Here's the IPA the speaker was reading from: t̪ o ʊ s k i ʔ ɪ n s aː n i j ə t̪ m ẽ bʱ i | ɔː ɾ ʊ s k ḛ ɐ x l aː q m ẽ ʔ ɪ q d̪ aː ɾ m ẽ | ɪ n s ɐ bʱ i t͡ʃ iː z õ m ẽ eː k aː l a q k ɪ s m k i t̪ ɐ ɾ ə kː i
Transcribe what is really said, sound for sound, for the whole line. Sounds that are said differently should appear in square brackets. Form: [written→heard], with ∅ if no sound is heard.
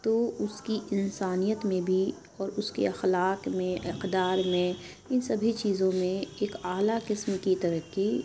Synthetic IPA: t̪ o ʊ s k i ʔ ɪ n s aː n i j ə t̪ m ẽ bʱ i | ɔː ɾ ʊ s k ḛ ɐ x l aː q m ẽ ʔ ɪ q d̪ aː ɾ m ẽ | ɪ n s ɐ bʱ i t͡ʃ iː z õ m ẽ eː k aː l a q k ɪ s m k i t̪ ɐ ɾ ə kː i